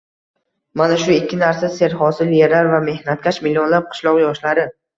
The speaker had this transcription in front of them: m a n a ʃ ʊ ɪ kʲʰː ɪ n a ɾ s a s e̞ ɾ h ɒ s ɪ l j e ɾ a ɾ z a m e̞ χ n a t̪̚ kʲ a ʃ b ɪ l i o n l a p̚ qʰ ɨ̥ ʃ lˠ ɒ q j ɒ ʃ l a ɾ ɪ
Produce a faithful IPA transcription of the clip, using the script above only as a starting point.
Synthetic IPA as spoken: m a n a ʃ ʊ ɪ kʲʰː ɪ n a ɾ s a s e̞ ɾ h ɒ s ɪ l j e ɾ a ɾ v a m e̞ h n a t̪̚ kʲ a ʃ m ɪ l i o n l a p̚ qʰ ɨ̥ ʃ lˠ ɒ q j ɒ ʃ l a ɾ ɪ